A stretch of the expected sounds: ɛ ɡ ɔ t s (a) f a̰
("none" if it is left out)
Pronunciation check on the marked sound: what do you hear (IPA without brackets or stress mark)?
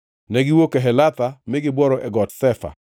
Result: ɛ